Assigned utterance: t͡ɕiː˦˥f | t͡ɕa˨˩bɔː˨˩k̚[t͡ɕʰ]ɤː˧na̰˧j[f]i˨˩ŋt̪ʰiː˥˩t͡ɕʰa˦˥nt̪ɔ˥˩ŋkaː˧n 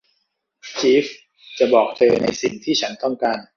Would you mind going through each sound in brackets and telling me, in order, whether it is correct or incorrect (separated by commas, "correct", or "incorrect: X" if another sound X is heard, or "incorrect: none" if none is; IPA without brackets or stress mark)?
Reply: incorrect: t͡ɕ, incorrect: s